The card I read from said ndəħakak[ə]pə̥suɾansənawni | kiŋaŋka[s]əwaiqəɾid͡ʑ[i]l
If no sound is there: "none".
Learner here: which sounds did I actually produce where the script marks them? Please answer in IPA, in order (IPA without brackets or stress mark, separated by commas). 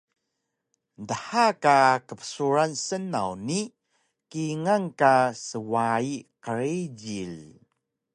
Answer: ə, s, i